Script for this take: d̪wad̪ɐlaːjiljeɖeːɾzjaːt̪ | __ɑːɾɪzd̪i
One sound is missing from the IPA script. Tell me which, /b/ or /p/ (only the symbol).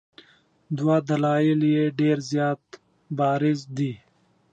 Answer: b